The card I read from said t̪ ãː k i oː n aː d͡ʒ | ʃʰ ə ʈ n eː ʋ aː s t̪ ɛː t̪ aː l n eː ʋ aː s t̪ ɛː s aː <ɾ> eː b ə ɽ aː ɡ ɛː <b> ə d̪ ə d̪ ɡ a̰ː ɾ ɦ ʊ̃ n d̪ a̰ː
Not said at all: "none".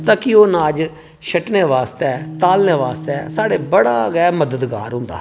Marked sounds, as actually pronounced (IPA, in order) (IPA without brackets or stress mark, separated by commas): ɽ, m